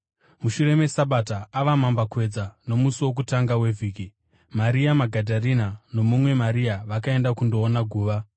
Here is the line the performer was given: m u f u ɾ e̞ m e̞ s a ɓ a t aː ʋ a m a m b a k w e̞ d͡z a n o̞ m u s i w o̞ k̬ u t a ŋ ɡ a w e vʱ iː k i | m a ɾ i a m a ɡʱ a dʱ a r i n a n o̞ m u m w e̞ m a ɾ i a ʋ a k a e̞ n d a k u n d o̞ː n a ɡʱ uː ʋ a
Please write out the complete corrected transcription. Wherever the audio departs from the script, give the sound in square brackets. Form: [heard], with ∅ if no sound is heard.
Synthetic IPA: m u [ʃ] u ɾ e̞ m e̞ s a ɓ a t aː ʋ a m a m b a k w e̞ d͡z a n o̞ m u s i w o̞ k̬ u t a ŋ ɡ a w e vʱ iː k i | m a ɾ i a m a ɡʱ a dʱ a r i n a n o̞ m u m w e̞ m a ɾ i a ʋ a k a e̞ n d a k u n d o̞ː n a ɡʱ uː ʋ a